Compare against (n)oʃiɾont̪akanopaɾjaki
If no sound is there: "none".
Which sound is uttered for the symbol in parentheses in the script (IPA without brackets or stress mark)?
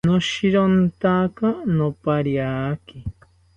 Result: n